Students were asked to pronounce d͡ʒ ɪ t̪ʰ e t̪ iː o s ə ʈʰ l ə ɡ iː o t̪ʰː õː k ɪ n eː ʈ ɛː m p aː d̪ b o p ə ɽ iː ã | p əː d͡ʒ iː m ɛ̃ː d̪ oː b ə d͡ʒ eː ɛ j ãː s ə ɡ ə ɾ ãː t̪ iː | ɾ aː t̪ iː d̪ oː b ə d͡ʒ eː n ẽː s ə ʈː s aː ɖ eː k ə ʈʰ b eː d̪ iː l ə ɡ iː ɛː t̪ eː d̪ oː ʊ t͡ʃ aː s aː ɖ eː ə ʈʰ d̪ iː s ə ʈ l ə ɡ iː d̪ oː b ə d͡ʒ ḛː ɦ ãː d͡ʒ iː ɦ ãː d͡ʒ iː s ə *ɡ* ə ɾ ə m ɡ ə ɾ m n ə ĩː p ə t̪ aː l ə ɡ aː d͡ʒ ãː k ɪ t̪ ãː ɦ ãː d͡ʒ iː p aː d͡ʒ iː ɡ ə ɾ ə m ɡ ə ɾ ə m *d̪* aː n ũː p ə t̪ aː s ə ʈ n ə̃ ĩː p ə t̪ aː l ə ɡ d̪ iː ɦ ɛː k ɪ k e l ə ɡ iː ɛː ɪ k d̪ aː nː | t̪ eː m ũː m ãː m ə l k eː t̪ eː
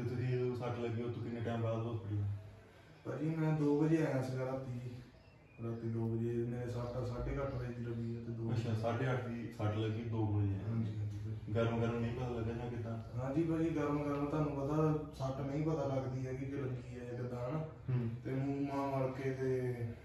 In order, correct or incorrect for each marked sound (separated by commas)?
correct, incorrect